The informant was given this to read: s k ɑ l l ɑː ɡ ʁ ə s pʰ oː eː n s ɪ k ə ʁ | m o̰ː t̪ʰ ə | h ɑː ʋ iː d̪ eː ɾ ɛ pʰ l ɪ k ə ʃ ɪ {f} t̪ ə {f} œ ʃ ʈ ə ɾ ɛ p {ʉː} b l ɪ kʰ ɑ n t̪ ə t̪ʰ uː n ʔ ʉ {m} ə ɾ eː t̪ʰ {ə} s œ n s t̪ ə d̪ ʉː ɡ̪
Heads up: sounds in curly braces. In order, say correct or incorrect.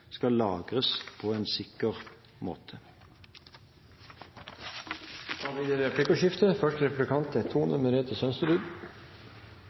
correct, correct, incorrect: ʉ, correct, correct

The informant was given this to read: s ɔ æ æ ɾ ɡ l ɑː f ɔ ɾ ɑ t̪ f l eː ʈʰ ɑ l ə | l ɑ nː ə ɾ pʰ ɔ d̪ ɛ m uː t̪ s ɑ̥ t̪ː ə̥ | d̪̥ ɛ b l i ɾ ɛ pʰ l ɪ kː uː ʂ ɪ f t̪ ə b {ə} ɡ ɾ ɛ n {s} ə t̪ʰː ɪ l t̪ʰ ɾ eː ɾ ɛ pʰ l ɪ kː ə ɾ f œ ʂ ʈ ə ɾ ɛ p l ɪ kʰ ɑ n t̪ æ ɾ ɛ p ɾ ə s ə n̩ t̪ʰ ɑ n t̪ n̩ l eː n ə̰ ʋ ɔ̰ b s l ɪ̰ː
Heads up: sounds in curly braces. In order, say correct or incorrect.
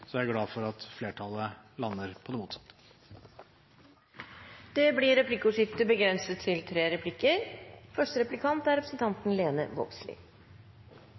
correct, correct

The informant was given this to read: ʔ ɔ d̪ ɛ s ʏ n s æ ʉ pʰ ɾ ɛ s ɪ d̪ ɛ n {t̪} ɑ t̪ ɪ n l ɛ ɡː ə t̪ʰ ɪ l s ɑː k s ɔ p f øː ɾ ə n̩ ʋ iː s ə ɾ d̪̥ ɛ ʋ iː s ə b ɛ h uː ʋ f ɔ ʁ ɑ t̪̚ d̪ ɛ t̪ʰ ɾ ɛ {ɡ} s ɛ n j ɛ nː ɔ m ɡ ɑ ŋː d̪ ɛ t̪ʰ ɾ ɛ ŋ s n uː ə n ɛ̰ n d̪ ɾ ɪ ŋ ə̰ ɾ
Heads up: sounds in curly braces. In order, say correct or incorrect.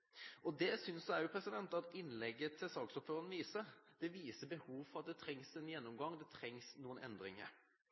correct, incorrect: ŋ

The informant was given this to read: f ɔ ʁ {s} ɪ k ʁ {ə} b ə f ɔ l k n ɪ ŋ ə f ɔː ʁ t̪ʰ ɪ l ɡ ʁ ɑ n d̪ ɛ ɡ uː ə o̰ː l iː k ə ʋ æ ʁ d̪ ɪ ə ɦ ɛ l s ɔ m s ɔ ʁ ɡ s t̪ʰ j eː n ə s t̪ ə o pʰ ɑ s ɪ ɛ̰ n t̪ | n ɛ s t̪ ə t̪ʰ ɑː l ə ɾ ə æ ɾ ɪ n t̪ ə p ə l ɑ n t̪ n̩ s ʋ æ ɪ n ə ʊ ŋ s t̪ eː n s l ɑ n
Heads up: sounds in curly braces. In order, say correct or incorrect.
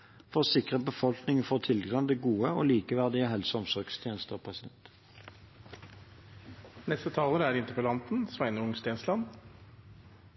correct, correct

